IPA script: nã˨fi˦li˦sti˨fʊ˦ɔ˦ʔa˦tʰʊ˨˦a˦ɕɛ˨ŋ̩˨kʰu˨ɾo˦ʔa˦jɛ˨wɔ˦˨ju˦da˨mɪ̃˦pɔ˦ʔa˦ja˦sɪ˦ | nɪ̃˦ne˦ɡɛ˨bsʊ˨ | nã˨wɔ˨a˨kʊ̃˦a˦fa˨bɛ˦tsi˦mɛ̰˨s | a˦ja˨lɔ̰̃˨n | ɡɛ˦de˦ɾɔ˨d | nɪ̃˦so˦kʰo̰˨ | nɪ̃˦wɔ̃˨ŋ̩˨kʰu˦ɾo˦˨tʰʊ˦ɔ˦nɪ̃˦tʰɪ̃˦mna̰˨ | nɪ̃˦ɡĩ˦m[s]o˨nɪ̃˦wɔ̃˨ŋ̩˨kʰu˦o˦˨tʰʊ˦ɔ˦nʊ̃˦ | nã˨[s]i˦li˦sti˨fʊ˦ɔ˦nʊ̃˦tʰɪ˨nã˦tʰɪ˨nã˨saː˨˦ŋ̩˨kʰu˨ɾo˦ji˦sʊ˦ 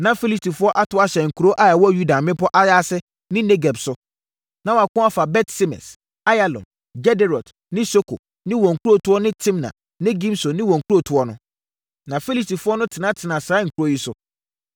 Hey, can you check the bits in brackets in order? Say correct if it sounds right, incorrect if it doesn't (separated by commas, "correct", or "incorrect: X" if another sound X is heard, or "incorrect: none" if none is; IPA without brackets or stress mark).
correct, incorrect: f